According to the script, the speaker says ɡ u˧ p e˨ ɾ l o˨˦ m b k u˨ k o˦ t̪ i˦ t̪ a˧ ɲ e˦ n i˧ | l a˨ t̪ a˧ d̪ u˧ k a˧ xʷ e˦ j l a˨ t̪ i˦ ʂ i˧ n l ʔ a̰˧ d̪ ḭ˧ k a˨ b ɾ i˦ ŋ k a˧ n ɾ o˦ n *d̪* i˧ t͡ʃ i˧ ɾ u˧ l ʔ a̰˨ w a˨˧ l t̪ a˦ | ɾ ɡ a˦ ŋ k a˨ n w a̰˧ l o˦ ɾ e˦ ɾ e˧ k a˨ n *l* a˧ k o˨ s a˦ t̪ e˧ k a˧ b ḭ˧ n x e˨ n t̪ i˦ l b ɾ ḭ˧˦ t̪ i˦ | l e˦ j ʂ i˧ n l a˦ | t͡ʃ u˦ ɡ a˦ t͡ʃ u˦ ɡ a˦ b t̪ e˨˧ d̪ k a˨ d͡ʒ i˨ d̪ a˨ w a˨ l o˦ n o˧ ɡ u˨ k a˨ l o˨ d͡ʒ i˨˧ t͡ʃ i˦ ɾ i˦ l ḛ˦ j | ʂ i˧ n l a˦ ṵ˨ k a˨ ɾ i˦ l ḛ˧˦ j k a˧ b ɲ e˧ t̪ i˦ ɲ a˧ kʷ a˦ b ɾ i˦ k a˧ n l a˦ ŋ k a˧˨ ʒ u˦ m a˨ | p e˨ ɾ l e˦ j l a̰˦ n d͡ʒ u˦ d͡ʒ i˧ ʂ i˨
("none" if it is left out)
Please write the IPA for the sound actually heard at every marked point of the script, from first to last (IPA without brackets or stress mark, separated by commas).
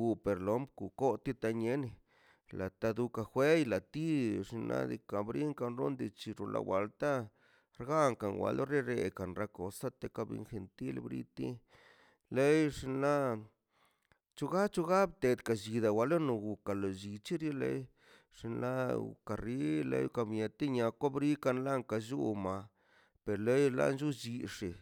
d̪, ɾ